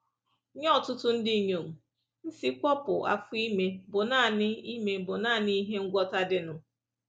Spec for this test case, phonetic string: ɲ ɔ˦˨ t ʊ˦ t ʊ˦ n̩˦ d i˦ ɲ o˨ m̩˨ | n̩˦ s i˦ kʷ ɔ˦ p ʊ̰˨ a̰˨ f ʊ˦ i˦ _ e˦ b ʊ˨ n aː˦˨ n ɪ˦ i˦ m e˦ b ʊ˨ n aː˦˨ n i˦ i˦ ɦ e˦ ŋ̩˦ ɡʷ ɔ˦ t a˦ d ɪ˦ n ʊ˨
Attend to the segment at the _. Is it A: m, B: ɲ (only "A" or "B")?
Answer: A